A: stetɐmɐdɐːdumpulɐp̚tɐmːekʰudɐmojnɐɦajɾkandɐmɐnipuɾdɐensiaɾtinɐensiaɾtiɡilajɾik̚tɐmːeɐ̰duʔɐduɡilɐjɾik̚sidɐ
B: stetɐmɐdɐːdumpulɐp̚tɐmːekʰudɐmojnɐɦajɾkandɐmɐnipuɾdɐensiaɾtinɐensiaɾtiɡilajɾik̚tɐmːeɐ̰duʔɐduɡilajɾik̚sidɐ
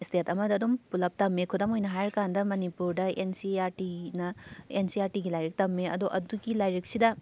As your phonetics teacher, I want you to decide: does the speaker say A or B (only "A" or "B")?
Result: B